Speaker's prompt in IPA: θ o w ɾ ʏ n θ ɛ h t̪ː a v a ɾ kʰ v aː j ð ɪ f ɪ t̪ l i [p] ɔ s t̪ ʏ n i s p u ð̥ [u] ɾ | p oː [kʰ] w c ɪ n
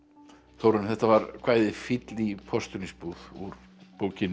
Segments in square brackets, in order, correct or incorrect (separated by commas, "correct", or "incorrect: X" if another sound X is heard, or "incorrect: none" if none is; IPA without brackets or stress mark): incorrect: pʰ, correct, incorrect: none